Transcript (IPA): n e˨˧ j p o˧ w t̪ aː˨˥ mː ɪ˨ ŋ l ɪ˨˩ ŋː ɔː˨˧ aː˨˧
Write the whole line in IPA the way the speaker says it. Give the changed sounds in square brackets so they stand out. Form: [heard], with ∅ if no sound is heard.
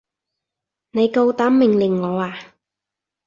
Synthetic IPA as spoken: n e˨˧ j [k] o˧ w t̪ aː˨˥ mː ɪ˨ ŋ l ɪ˨˩ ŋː ɔː˨˧ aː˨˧

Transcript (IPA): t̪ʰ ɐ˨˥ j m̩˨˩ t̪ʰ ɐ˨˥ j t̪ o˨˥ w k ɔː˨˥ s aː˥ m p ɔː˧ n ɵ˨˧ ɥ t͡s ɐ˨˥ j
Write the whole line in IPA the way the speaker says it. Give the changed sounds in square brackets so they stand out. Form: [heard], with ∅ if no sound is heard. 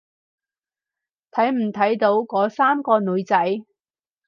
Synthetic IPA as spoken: t̪ʰ ɐ˨˥ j m̩˨˩ t̪ʰ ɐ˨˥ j t̪ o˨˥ w k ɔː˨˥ s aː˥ m [k] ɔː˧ n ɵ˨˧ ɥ t͡s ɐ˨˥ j

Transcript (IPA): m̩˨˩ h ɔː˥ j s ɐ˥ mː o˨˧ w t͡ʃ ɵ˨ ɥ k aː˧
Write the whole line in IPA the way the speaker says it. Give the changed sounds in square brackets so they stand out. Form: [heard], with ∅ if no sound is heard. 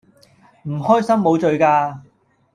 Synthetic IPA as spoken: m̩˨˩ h ɔː˥ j s ɐ˥ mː o˨˧ w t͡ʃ ɵ˨ ɥ k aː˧

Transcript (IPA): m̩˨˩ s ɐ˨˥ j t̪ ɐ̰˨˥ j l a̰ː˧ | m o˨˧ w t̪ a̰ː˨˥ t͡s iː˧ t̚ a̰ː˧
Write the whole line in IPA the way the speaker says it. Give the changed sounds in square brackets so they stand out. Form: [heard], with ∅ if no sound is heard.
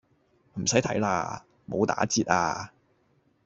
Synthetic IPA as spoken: m̩˨˩ s ɐ˨˥ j [t̪ʰ] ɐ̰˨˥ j l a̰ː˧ | m o˨˧ w t̪ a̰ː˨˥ t͡s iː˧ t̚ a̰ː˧

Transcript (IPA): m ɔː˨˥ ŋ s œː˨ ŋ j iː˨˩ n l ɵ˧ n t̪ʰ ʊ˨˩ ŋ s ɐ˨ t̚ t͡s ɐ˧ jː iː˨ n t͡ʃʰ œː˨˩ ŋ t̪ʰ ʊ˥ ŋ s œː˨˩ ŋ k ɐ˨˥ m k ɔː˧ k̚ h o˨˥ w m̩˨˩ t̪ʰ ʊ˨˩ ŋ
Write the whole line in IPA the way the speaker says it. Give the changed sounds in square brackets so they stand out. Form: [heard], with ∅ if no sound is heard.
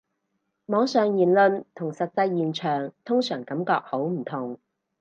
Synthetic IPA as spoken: m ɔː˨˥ ŋ s œː˨ ŋ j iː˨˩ n l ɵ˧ n t̪ʰ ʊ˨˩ ŋ s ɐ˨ t̚ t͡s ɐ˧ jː iː˨ n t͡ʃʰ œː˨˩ ŋ t̪ʰ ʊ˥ ŋ s œː˨˩ ŋ k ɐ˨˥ m k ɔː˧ k̚ h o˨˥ w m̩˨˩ t̪ʰ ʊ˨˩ ŋ

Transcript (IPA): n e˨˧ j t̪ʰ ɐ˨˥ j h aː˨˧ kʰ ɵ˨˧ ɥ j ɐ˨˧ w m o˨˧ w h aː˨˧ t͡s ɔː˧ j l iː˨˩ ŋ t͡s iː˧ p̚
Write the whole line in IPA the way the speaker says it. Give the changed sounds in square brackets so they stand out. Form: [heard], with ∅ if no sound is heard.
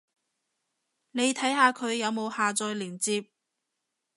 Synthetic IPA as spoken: n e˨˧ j t̪ʰ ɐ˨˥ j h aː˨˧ kʰ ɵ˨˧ ɥ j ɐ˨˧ w m o˨˧ w h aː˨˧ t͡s ɔː˧ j l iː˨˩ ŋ t͡s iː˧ p̚

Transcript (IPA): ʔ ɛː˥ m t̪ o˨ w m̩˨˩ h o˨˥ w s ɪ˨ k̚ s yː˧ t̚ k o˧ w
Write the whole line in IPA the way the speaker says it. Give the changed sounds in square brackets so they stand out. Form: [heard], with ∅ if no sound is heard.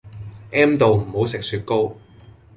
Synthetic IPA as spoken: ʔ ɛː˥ m t̪ o˨ w m̩˨˩ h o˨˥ w s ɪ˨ k̚ s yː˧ t̚ k [o˥] w

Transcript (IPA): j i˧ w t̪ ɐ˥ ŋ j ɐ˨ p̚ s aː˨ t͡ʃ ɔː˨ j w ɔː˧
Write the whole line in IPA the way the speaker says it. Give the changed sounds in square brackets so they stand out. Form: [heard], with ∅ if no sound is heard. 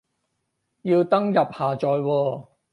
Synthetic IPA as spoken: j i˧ w t̪ ɐ˥ ŋ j ɐ˨ p̚ [h] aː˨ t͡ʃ ɔː˨ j w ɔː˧

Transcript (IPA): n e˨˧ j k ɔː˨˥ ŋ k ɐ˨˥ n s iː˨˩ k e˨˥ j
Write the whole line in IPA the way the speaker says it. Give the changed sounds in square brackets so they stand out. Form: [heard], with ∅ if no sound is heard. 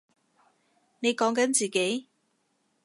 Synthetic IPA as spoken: n e˨˧ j k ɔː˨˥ ŋ k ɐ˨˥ n [t͡s] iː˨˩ k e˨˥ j

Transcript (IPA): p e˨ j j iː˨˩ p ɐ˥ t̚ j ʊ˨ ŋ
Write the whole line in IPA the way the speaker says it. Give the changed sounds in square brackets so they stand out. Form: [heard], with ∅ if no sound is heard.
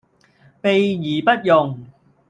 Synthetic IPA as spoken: p e˨ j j iː˨˩ p ɐ˥ t̚ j ʊ˨ ŋ

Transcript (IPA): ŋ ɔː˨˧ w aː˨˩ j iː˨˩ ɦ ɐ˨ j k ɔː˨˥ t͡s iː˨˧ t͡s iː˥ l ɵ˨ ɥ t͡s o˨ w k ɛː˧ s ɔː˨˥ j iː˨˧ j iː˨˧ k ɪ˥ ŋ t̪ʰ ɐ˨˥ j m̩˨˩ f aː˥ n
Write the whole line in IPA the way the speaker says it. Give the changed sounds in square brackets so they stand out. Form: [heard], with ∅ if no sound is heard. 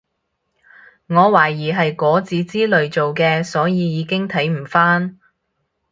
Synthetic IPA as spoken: ŋ ɔː˨˧ w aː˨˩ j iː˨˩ ɦ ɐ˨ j k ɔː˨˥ t͡s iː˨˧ t͡s iː˥ l ɵ˨ ɥ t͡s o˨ w k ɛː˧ s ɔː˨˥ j iː˨˧ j iː˨˧ k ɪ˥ ŋ t̪ʰ ɐ˨˥ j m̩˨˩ f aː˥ n

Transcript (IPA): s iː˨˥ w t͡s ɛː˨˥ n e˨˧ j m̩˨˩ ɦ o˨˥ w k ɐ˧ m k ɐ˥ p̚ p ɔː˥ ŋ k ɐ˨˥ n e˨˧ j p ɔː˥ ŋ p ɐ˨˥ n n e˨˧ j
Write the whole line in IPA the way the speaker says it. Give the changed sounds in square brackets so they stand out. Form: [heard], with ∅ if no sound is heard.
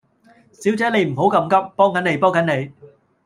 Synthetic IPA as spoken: s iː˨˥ w t͡s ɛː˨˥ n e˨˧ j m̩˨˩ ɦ o˨˥ w k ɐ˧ m k ɐ˥ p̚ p ɔː˥ ŋ k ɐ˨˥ n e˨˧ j p ɔː˥ ŋ [k] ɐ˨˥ n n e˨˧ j

